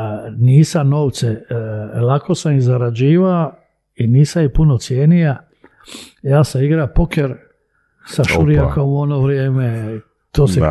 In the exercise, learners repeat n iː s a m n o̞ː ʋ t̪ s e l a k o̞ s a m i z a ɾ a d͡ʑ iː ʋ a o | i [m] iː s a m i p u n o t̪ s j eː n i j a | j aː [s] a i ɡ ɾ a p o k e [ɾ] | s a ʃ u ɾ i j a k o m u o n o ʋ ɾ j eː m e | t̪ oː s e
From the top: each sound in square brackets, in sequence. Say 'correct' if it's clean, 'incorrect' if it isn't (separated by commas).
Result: incorrect, correct, correct